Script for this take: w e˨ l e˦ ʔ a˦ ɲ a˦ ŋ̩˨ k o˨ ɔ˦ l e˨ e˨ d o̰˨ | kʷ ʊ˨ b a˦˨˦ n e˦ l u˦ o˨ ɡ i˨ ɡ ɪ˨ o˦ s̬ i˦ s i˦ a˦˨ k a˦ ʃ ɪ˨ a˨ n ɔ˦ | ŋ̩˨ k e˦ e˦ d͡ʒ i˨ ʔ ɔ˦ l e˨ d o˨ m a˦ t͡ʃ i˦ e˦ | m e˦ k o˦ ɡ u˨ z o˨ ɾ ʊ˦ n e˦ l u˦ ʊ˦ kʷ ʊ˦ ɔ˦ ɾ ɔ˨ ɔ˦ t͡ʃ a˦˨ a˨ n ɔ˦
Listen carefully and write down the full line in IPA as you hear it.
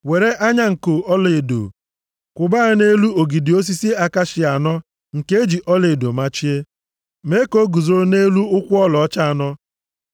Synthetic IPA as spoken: w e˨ ɾ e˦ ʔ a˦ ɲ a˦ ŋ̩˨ k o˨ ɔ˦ l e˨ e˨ d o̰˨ | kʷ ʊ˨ b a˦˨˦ n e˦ l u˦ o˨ ɡ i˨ d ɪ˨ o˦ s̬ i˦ s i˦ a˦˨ k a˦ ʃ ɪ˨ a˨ n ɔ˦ | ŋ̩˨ k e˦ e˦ d͡ʒ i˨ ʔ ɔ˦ l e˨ d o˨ m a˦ t͡ʃ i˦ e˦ | m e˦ k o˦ ɡ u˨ z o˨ ɾ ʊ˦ n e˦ l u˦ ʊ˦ kʷ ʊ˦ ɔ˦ l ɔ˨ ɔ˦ t͡ʃ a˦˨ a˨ n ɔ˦